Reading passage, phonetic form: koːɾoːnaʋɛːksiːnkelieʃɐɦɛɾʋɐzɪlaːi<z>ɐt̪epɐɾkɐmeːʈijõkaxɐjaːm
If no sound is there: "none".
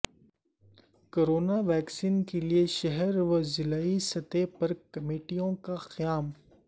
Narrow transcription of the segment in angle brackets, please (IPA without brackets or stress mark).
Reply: s